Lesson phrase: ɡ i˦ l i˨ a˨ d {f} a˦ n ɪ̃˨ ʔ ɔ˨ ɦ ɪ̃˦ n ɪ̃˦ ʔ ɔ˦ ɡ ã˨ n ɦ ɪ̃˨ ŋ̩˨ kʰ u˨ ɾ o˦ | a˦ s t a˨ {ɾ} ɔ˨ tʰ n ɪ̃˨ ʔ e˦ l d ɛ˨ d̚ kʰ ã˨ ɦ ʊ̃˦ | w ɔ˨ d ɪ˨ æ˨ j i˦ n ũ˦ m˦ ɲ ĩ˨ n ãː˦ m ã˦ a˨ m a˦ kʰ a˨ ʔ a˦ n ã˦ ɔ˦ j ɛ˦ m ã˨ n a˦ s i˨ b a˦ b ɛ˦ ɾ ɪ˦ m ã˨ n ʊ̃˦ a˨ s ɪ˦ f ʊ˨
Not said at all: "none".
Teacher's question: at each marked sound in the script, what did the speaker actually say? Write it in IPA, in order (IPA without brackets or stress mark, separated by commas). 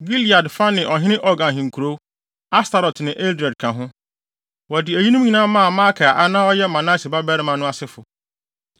f, ɾ